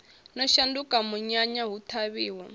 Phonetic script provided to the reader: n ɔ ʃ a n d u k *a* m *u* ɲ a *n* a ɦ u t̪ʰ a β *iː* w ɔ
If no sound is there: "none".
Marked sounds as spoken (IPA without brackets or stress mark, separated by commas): a, u, ɲ, iː